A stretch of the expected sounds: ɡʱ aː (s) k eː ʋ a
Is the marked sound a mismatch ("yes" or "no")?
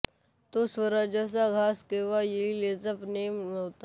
no